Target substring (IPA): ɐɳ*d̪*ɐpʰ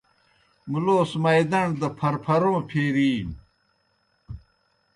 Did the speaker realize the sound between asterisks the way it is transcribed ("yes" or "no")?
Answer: yes